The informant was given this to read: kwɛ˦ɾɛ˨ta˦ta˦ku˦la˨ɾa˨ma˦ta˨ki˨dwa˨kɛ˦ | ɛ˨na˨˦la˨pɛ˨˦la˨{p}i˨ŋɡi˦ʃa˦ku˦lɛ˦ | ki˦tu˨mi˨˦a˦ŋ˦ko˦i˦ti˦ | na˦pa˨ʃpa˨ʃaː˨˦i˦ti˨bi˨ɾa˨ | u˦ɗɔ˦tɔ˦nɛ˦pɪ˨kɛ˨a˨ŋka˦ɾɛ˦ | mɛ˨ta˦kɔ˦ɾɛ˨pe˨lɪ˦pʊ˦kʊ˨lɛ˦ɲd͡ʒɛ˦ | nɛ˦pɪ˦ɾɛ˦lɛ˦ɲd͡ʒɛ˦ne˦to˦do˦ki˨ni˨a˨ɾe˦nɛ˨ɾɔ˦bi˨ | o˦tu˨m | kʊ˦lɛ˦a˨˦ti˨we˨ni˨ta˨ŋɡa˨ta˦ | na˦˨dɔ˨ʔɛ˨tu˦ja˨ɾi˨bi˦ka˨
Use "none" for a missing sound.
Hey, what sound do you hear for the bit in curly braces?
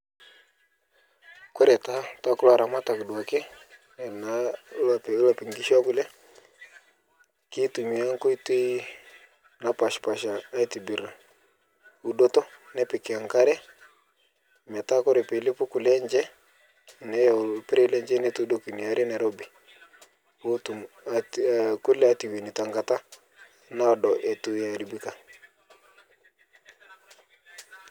p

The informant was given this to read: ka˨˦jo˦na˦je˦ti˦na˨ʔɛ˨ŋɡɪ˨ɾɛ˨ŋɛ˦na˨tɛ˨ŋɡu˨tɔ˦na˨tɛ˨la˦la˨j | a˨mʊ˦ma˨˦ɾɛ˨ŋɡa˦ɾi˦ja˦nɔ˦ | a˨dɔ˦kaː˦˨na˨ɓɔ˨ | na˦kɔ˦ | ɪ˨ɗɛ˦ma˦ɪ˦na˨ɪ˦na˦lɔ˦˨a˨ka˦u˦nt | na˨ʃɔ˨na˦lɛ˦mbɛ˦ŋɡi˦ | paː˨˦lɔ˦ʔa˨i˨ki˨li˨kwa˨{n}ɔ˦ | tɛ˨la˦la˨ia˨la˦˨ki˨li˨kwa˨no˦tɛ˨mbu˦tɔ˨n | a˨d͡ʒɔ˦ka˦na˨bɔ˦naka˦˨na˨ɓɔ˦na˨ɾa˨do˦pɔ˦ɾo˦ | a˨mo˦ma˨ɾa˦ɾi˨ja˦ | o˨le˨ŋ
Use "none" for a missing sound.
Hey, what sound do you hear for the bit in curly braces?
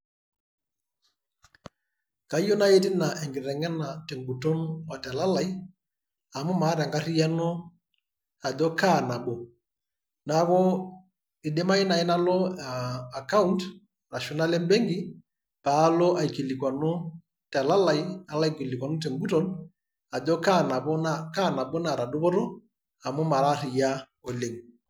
n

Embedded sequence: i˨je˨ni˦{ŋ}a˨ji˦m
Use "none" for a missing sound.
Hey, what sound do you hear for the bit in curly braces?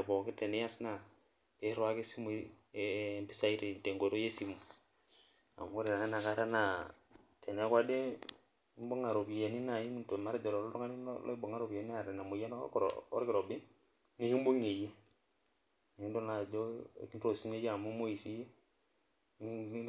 n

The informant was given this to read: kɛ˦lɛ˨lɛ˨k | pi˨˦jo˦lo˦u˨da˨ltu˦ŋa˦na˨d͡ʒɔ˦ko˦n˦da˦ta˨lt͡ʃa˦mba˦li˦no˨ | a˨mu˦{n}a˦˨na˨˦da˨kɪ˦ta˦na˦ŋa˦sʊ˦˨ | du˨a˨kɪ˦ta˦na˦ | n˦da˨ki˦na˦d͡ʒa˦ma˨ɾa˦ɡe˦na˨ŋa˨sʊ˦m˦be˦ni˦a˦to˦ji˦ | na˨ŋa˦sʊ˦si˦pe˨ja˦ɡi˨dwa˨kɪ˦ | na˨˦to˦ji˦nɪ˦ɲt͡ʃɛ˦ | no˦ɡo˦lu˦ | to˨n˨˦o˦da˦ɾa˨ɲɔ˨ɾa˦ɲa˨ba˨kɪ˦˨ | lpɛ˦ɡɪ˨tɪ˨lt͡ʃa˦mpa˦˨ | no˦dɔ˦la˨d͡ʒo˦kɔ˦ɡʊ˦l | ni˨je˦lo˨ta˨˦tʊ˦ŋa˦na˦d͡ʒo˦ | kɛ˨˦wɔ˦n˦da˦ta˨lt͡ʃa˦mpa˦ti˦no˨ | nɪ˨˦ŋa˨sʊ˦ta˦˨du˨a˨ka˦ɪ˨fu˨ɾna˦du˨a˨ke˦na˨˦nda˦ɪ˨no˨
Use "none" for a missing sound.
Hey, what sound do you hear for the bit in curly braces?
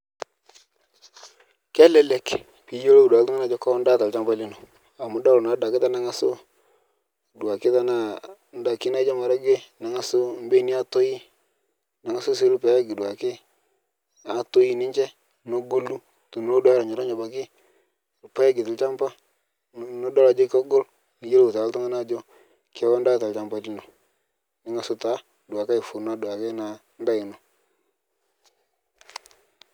d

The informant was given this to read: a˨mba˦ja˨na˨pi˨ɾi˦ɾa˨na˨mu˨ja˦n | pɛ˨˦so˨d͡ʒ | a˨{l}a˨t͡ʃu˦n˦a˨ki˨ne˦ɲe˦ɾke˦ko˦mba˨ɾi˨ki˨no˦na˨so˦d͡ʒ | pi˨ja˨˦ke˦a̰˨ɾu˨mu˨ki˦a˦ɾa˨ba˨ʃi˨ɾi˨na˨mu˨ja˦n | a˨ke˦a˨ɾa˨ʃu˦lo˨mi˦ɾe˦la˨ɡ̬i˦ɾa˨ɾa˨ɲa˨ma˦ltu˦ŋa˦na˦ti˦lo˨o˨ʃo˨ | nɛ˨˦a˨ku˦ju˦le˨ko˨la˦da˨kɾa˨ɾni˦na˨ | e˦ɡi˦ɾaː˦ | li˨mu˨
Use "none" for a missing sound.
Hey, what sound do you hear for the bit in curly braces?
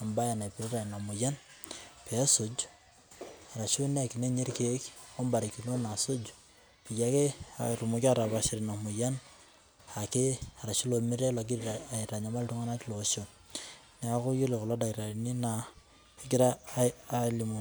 ɾ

